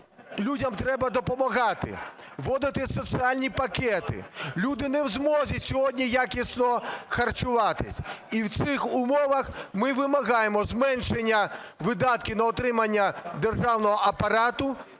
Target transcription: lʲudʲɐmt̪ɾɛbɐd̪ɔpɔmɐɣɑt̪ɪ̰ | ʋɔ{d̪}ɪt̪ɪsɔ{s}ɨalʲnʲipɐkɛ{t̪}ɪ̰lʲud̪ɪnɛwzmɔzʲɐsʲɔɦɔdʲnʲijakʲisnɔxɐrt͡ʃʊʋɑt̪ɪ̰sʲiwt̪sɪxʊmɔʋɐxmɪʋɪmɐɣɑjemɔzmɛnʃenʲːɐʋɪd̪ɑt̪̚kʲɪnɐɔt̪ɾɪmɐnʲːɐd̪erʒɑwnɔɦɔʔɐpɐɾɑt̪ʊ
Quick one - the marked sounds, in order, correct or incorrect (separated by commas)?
correct, correct, correct